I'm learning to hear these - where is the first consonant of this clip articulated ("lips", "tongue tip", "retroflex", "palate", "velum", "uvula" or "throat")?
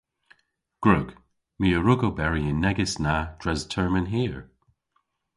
velum